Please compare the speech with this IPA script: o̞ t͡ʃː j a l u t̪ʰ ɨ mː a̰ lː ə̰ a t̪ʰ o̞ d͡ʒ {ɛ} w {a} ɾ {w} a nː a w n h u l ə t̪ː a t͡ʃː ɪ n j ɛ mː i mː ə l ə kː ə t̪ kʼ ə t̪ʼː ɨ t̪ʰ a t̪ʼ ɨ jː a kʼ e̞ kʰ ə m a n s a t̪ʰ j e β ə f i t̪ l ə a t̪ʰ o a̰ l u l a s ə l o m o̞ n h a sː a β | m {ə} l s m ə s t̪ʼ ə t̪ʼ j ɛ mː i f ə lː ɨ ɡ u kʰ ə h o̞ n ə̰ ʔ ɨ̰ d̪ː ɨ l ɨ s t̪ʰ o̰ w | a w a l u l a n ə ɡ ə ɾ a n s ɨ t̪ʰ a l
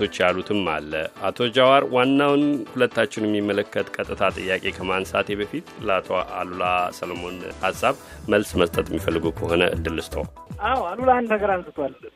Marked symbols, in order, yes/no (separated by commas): no, yes, yes, yes